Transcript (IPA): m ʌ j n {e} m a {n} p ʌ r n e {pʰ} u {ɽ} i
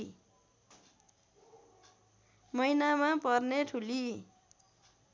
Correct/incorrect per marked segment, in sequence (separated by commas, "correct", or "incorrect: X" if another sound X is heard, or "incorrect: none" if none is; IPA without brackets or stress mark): incorrect: a, incorrect: none, incorrect: ʈʰ, incorrect: l